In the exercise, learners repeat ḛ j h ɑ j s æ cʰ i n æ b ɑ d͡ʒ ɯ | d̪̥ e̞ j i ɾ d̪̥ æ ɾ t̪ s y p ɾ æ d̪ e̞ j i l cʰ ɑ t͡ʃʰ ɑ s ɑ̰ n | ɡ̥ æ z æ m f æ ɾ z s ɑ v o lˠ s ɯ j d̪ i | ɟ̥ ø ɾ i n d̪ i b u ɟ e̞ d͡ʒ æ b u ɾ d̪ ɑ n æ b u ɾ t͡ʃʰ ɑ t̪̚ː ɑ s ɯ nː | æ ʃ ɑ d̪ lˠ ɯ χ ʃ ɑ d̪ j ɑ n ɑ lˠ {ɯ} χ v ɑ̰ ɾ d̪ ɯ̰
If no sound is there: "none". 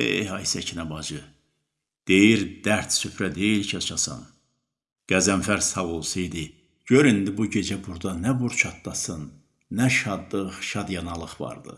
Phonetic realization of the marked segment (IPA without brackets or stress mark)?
ɯ